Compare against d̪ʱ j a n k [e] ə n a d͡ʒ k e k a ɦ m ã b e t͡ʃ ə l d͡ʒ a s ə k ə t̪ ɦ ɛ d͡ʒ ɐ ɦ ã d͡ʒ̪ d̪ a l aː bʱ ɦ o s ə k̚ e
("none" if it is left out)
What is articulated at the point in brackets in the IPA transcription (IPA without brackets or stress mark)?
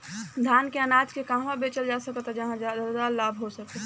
e